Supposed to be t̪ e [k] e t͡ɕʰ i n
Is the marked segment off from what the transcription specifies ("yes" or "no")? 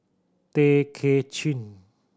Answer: yes